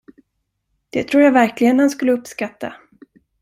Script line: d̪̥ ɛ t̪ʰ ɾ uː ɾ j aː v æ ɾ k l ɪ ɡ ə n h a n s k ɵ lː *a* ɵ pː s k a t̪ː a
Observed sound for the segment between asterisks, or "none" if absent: ə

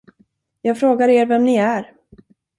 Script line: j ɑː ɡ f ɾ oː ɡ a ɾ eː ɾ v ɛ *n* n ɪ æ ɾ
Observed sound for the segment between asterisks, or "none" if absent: m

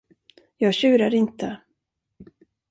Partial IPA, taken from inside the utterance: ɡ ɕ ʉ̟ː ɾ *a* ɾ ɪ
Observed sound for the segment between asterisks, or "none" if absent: a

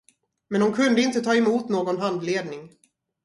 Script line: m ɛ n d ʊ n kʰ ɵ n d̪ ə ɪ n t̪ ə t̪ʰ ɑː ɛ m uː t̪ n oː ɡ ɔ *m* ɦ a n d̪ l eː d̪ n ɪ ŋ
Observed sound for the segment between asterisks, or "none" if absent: n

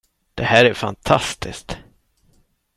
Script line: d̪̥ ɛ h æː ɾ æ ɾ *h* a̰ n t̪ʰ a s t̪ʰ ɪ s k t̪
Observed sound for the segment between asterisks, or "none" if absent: f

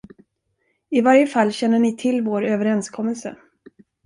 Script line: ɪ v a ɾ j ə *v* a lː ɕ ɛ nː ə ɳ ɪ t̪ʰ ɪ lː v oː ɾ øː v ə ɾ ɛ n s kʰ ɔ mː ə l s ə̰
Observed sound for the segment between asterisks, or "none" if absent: f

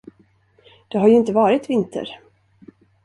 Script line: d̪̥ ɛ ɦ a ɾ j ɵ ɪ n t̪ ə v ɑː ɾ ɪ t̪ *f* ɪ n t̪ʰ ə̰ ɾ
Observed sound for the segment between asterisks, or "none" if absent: v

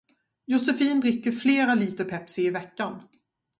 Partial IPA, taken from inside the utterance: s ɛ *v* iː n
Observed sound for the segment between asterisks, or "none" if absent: f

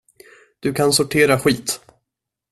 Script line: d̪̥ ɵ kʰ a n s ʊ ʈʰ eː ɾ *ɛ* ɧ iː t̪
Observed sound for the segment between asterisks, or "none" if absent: a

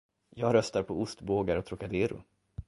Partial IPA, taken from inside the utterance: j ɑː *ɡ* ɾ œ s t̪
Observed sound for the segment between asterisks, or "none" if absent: ɡ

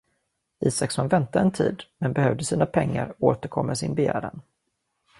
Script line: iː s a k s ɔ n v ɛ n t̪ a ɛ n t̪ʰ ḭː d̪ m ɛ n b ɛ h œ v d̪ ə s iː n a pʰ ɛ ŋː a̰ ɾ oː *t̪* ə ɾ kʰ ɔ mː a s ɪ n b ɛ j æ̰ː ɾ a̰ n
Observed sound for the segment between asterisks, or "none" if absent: t̪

